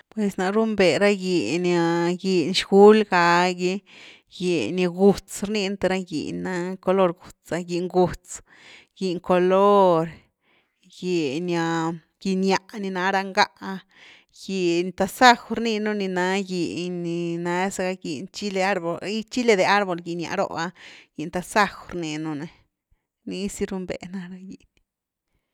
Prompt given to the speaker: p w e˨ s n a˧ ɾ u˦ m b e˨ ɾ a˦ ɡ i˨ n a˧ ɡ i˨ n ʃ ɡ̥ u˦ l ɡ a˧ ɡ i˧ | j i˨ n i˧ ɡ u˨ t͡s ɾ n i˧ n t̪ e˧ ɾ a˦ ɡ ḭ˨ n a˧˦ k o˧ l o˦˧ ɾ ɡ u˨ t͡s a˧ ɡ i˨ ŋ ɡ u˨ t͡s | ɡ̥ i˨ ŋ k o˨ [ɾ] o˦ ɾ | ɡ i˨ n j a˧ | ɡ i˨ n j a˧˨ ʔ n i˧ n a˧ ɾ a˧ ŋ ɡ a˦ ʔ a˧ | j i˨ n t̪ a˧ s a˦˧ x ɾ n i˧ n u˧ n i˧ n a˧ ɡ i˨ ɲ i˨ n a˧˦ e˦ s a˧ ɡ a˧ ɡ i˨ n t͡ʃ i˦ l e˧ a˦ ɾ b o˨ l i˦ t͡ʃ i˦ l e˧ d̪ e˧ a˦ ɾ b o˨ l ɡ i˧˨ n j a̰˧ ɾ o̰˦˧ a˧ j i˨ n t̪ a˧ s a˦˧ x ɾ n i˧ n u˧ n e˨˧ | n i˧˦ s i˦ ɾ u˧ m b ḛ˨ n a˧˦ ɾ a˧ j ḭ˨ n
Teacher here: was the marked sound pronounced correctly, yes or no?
no